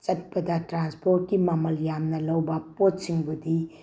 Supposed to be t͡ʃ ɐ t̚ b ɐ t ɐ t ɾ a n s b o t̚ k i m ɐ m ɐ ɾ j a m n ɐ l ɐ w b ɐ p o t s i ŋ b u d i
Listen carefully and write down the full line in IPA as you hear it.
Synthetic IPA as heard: t͡ʃ ɐ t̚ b ɐ d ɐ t ɾ a n s p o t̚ k i m ɐ m ɐ l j a m n ɐ l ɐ w b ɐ p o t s i ŋ b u d i